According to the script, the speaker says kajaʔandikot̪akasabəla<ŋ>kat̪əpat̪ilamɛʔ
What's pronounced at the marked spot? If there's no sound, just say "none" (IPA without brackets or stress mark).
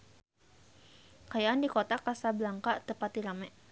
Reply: ŋ